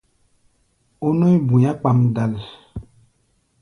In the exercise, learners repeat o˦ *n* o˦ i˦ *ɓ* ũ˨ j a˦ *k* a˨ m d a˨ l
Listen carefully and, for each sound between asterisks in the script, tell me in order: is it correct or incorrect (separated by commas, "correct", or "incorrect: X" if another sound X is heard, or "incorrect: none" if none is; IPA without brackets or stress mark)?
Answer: correct, incorrect: b, incorrect: k͡p